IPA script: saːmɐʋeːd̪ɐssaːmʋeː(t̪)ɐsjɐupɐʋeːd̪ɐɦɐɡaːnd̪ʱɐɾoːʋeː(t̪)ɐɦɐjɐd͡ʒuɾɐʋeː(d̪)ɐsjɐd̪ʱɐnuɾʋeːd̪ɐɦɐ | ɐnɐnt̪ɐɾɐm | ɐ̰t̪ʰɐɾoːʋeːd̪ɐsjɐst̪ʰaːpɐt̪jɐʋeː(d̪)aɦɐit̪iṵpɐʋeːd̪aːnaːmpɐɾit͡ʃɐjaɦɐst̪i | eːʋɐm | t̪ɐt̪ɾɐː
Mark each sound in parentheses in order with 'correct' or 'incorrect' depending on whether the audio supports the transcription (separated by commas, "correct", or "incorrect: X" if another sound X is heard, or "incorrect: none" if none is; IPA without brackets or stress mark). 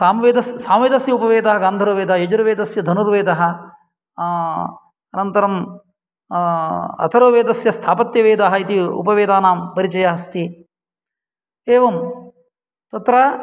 incorrect: d̪, incorrect: d̪, correct, correct